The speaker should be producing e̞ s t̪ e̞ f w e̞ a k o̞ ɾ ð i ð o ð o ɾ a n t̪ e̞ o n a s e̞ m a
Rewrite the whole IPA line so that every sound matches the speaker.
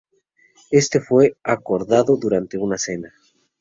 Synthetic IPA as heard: e̞ s t̪ e̞ f w e̞ a k o̞ ɾ ð a ð o ð u ɾ a n t̪ e̞ u n a s e̞ n a